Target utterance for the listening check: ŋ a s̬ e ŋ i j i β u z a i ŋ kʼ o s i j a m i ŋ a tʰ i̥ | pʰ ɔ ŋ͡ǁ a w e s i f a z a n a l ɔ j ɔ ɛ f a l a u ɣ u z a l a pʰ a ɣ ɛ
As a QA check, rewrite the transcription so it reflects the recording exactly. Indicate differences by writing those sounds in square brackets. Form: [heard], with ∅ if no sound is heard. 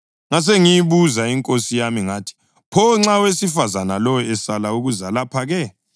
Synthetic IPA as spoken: ŋ a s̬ e ŋ i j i β u z a i ŋ kʼ o s i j a m i ŋ a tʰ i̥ | pʰ ɔ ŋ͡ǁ a w e s i f a z a n a l ɔ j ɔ ɛ [s] a l a u ɣ u z a l a pʰ a ɣ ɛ